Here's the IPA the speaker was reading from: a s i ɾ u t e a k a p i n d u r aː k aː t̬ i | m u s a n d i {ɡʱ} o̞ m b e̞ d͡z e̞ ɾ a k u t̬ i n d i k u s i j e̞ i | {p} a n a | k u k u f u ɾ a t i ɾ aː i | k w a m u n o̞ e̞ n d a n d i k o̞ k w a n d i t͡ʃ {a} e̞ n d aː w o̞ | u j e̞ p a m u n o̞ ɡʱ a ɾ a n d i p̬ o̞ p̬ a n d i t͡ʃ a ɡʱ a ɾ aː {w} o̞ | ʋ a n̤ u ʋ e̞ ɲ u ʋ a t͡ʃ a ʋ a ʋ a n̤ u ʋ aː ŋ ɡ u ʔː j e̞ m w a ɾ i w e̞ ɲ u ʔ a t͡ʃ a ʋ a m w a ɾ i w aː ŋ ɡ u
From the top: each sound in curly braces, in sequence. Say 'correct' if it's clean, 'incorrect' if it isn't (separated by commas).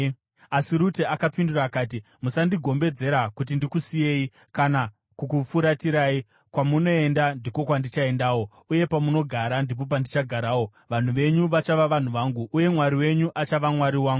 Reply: correct, incorrect, correct, correct